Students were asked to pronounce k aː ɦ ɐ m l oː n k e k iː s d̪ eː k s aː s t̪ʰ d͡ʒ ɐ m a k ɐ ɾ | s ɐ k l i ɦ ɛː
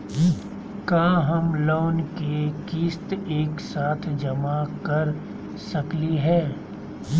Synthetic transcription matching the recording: k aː ɦ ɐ m l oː n k e k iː s t̪ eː k s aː t̪ʰ d͡ʒ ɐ m a k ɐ ɾ | s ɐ k l i ɦ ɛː